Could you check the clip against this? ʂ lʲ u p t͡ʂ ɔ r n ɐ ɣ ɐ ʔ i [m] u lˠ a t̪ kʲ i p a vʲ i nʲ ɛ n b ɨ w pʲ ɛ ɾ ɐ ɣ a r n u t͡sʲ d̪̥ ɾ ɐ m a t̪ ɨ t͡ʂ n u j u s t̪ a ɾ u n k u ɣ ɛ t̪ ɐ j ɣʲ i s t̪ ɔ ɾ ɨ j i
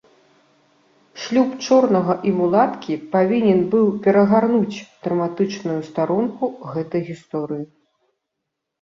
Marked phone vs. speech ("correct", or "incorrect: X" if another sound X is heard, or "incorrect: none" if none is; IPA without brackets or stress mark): correct